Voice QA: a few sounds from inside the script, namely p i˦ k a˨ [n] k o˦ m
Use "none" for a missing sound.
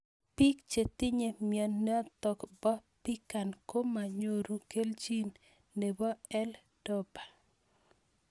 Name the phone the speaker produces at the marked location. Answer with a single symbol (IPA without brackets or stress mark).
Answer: n